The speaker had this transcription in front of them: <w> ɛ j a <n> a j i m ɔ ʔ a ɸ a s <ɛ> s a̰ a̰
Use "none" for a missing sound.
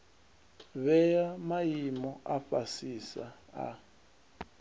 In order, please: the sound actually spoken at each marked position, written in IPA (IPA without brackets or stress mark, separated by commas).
β, m, i